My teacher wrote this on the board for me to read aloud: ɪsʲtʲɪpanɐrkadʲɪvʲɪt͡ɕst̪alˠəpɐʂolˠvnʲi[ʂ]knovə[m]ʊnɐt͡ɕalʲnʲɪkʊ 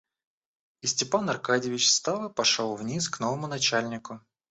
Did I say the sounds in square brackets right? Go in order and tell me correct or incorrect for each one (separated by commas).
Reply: incorrect, correct